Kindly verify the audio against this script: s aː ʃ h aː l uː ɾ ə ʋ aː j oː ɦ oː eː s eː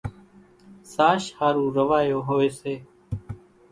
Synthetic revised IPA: s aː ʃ h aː ɾ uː ɾ ə ʋ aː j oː ɦ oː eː s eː